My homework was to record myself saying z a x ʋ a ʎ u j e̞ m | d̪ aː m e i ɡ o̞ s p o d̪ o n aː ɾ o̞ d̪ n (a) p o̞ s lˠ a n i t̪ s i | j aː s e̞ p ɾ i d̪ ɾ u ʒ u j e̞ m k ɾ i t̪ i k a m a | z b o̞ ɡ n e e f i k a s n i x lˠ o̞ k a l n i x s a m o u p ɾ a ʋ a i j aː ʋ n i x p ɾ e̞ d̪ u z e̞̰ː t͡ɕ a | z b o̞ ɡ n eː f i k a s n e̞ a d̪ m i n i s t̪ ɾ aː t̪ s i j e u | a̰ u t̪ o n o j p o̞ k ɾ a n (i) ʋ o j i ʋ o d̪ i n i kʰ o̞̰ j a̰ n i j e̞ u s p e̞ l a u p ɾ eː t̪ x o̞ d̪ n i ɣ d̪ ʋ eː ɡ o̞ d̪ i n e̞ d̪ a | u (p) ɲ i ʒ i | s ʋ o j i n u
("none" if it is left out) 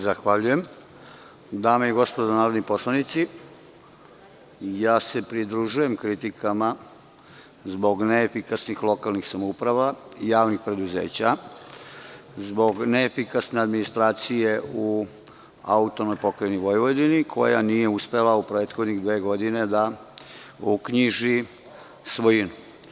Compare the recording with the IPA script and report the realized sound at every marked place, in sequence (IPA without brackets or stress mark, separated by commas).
i, i, k